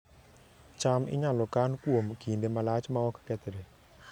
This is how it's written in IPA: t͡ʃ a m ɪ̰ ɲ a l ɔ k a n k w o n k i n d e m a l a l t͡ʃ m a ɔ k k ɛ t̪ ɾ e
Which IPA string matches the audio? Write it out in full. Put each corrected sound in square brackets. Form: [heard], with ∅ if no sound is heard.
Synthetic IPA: t͡ʃ a m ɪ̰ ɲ a l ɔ k a n k w o [m] k i n d e m a l a [∅] t͡ʃ m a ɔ k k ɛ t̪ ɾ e